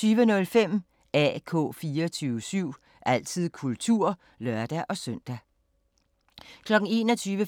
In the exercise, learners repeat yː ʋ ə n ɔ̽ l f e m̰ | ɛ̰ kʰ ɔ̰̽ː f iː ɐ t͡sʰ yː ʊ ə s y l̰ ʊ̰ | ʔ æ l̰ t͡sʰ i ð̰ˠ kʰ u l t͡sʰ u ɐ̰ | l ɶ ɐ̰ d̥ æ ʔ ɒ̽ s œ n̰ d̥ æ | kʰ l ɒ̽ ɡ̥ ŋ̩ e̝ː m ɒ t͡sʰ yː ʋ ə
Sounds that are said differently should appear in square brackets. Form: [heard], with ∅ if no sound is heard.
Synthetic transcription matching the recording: yː ʋ ə n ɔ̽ l f e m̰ | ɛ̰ kʰ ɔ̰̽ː f iː ɐ t͡sʰ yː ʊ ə s y [∅] ʊ̰ | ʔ æ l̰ t͡sʰ i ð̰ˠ kʰ u l t͡sʰ u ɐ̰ | l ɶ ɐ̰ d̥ æ ʔ ɒ̽ s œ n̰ d̥ æ | kʰ l ɒ̽ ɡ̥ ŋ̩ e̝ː [n] ɒ t͡sʰ yː ʋ ə